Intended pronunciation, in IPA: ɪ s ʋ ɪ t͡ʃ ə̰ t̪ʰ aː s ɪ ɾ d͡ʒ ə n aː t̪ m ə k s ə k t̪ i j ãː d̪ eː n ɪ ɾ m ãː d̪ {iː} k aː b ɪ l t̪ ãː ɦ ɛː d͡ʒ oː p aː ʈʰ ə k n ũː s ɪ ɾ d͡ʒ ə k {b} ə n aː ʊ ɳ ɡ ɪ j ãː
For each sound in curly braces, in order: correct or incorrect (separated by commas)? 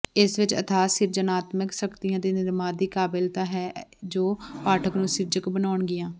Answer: correct, correct